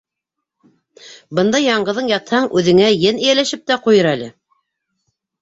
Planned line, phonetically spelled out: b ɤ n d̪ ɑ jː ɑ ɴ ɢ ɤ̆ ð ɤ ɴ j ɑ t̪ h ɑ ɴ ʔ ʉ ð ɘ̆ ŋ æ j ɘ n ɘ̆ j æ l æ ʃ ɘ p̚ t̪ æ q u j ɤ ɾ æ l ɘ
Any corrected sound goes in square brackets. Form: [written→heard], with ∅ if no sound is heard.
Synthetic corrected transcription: b ɤ n d̪ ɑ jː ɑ ɴ ɢ ɤ̆ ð ɤ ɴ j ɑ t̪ h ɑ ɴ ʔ ʉ ð ɘ̆ ŋ æ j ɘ n ɘ̆ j æ l æ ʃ ɘ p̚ t̪ æ q u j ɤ ɾ æ l ɘ